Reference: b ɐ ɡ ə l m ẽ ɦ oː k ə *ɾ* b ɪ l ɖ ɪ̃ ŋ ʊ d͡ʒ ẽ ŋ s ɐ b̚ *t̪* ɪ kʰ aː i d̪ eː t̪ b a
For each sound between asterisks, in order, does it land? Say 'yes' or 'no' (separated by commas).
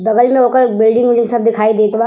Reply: yes, no